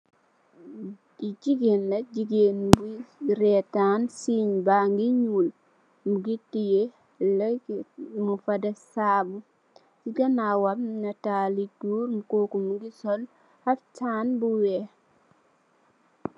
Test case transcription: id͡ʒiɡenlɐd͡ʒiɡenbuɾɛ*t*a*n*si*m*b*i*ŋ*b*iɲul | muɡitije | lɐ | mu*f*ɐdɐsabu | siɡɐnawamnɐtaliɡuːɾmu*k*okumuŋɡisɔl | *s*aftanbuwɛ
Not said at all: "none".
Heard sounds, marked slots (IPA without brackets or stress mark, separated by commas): t, n, ɲ, a, ɡ, f, k, h